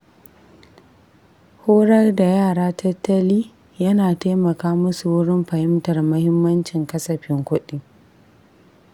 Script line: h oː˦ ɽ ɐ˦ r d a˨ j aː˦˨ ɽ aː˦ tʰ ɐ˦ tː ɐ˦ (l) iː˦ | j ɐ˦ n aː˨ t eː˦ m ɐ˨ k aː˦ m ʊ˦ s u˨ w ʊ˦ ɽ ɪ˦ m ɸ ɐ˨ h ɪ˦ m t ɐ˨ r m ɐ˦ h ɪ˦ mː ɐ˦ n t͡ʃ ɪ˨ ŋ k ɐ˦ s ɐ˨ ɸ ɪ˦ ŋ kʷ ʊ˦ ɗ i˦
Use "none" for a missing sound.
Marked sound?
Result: l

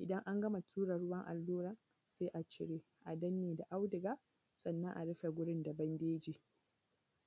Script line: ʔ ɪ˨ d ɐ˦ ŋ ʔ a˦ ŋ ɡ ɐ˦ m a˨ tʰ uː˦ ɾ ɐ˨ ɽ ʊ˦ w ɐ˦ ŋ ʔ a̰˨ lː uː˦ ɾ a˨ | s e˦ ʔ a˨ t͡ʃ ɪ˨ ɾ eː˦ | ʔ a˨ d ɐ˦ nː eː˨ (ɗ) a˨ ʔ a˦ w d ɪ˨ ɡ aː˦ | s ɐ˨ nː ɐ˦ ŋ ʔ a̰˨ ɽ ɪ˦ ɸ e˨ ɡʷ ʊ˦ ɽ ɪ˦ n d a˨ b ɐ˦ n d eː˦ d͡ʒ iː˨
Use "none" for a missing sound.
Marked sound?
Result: d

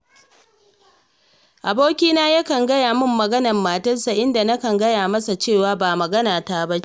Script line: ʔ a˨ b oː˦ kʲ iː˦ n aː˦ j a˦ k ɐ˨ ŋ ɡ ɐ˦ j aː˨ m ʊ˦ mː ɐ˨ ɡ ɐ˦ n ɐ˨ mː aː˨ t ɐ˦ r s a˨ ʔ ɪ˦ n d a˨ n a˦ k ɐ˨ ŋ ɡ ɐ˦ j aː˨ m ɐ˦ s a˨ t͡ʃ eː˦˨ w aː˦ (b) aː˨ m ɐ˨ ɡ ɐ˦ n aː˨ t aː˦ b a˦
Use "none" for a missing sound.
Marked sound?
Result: b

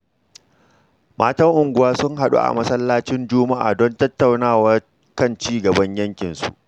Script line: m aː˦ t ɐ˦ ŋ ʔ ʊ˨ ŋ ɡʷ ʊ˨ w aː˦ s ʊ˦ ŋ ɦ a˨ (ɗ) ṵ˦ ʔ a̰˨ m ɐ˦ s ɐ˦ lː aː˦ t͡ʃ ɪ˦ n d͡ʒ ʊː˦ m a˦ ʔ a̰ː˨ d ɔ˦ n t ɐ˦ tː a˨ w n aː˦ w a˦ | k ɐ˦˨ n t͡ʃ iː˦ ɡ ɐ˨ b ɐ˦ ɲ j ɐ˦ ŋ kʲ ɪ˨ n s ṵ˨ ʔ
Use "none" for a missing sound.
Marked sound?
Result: ɗ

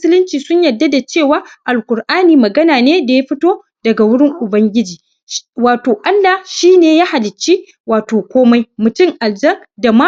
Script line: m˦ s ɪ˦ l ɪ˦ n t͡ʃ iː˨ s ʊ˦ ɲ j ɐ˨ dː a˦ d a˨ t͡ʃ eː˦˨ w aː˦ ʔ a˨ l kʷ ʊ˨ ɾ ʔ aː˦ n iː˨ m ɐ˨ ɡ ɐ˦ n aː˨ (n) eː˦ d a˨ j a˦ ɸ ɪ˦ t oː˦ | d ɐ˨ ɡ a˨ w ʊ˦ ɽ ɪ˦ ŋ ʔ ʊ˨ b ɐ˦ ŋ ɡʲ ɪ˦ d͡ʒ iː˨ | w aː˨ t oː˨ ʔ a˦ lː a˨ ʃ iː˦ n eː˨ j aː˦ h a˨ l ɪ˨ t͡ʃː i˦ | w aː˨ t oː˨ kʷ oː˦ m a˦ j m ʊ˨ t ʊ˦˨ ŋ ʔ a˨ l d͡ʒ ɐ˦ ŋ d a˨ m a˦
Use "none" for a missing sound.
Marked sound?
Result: n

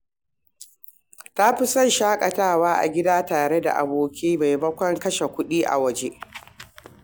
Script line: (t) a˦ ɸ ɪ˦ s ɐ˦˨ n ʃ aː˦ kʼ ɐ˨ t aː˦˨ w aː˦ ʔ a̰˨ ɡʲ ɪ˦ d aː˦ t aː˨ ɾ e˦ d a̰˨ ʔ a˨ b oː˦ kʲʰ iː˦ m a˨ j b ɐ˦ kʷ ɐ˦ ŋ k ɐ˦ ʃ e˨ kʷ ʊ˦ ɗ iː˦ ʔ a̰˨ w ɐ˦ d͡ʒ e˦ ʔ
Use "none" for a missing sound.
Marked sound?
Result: t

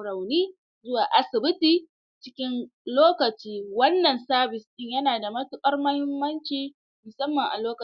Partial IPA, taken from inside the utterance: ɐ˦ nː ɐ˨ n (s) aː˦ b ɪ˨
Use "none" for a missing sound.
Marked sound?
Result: s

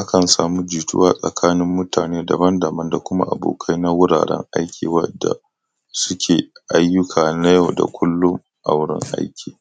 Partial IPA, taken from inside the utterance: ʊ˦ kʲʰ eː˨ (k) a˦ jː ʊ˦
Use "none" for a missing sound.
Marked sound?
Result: ʔ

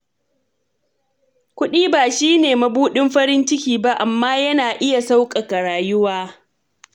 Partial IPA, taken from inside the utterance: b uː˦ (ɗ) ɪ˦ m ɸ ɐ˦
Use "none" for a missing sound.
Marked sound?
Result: ɗ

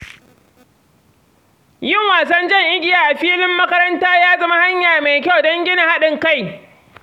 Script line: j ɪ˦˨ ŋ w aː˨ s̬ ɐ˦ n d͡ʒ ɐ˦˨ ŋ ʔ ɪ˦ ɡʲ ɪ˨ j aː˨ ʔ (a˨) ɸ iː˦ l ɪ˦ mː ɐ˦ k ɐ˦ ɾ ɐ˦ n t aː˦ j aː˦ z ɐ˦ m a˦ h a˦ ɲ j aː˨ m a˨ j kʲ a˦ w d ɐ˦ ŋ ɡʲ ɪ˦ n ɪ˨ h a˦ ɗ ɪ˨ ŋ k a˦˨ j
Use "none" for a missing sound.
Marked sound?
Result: a˨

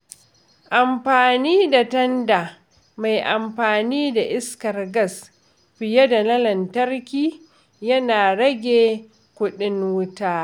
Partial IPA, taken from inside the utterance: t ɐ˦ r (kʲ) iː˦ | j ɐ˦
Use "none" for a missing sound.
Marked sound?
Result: kʲ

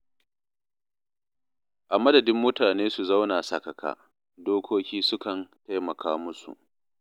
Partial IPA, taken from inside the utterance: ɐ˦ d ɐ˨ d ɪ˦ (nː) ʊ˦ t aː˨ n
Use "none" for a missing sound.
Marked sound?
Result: mː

